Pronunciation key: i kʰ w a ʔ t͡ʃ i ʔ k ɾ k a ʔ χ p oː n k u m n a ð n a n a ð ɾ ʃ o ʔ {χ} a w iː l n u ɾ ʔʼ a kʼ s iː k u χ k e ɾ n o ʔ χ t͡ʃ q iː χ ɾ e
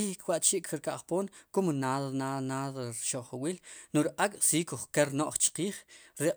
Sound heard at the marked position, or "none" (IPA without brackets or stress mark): χ